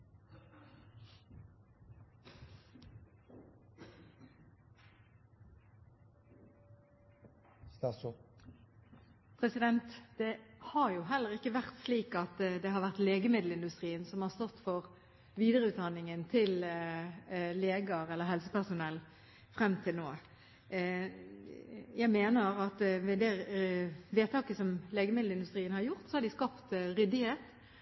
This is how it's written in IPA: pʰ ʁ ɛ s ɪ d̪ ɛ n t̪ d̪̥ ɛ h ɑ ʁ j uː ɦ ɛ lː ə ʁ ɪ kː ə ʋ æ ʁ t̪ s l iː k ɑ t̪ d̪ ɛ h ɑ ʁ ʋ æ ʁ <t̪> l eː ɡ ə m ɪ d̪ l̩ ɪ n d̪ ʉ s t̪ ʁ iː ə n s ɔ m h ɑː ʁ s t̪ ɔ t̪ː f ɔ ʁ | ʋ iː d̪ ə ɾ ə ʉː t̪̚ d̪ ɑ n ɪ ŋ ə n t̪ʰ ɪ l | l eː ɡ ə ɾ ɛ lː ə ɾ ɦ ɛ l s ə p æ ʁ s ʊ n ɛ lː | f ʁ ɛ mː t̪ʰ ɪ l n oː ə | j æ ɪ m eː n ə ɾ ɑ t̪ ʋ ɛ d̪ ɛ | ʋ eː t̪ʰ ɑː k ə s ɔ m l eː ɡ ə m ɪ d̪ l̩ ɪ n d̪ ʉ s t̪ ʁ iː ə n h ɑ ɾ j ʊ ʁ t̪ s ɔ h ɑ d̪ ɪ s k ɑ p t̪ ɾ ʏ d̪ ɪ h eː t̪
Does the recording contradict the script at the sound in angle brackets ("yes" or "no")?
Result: no